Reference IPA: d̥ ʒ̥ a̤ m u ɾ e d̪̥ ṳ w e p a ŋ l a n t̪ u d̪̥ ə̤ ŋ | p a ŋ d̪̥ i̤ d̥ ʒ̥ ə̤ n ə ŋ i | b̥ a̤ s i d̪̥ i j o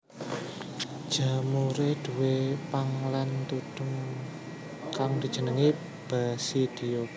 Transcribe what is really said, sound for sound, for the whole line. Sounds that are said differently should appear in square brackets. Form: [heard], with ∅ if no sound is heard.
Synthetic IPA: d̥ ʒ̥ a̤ m u ɾ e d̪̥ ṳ w e p a ŋ l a n t̪ u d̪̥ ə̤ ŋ | [k] a ŋ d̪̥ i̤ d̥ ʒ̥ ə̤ n ə ŋ i | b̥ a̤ s i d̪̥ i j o